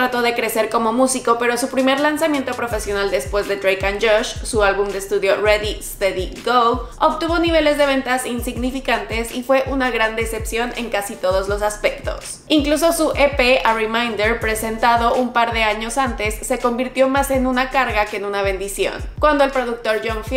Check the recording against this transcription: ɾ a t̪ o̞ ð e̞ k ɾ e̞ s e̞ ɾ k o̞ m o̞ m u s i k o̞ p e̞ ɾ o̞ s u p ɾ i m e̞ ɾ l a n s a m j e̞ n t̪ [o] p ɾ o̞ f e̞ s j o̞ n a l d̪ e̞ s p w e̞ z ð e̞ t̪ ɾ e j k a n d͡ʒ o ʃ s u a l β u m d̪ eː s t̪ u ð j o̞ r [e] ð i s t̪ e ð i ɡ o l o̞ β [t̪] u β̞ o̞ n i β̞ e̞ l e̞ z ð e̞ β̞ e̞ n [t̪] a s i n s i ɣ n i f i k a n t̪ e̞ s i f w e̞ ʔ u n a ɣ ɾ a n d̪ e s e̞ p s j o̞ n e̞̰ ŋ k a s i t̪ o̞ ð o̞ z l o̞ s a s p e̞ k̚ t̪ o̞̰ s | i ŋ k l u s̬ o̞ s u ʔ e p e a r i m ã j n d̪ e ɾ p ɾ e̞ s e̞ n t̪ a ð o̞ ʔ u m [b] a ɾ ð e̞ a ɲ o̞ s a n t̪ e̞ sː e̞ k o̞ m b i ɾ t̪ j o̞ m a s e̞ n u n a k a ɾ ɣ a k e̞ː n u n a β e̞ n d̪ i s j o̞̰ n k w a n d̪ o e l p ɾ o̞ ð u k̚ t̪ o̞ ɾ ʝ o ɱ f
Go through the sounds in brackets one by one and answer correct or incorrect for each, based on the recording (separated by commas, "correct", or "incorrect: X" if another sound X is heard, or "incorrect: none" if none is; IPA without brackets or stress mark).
correct, correct, correct, correct, incorrect: p